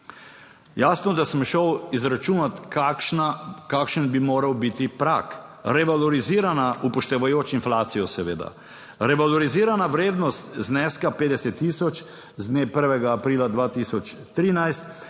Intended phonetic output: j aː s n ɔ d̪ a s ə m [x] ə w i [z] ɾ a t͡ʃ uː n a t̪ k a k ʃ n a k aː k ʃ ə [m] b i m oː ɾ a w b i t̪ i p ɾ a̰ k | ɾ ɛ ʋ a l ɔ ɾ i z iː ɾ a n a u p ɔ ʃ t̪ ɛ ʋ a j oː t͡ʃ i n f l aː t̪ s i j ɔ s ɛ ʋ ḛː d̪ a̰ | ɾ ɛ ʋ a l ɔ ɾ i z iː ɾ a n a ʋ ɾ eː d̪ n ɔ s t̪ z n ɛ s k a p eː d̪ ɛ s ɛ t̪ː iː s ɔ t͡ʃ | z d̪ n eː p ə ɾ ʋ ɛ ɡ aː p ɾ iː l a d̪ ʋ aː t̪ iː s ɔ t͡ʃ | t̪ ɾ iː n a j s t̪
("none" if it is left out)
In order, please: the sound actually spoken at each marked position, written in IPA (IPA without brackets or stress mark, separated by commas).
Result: ʃ, z, n